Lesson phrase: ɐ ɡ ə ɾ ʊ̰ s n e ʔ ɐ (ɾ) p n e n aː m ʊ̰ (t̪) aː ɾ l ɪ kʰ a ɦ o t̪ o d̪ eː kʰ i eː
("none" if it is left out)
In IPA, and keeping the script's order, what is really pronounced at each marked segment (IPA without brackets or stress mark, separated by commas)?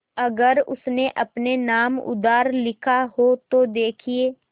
none, d̪